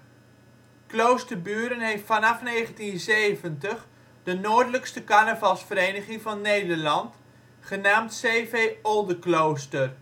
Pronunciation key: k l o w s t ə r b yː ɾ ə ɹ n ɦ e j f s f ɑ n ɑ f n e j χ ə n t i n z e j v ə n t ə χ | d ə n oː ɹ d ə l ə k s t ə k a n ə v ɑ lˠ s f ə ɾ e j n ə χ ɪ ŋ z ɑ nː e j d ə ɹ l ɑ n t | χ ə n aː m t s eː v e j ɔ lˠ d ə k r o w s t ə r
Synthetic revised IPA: k l o w s t ə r b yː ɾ ə n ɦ e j f t f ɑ n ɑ f n e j χ ə n t i n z e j v ə n t ə χ | d ə n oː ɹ d ə l ə k s t ə k a n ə v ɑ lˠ s f ə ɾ e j n ə χ ɪ ŋ v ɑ nː e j d ə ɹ l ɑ n t | χ ə n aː m t s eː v e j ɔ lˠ d ə k l o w s t ə r